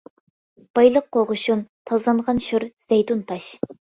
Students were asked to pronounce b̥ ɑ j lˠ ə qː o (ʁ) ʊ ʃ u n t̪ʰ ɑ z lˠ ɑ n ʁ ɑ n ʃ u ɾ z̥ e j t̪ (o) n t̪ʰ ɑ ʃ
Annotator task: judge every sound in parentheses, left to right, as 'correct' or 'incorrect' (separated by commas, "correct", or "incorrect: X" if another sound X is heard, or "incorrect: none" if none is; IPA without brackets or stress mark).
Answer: correct, incorrect: u